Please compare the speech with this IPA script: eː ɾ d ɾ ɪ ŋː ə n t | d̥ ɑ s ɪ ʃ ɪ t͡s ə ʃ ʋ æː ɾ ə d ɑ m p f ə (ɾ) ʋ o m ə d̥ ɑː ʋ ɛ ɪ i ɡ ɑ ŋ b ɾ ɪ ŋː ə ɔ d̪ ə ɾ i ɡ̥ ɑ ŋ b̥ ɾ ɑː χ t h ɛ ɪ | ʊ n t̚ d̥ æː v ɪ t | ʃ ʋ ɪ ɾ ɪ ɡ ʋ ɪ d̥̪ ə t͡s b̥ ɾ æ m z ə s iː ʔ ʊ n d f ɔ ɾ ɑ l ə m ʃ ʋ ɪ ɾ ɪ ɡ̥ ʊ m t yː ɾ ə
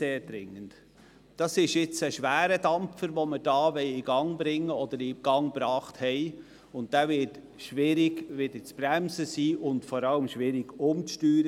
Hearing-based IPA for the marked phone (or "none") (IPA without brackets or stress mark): ɾ